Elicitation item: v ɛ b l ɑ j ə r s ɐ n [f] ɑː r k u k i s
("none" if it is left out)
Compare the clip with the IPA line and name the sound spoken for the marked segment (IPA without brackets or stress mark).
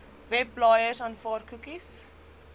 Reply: f